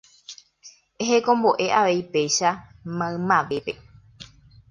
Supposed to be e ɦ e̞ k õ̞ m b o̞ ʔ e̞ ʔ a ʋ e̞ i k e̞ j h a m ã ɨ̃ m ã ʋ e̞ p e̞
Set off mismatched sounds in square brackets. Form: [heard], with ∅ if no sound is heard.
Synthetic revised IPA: e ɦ e̞ k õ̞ m b o̞ ʔ e̞ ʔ a ʋ e̞ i [p] e̞ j [ʃ] a m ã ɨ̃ m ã ʋ e̞ p e̞